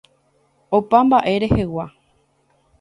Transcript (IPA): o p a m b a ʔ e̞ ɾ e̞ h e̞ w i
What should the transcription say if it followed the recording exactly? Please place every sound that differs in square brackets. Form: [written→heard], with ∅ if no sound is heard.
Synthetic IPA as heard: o p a m b a ʔ e̞ ɾ e̞ h e̞ w [i→a]